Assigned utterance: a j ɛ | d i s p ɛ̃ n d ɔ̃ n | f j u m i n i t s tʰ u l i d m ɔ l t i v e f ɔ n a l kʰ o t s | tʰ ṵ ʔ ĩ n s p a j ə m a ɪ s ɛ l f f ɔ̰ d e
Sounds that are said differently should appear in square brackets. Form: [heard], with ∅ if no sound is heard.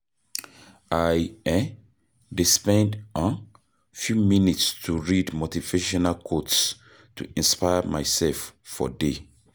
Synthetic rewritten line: a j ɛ | d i s p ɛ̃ n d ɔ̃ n | f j u m i n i t s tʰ u [ɹ] i d m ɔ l t i v e [ʃ] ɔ n a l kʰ o t s | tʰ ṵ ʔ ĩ n s p a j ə m a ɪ s ɛ l f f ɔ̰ d e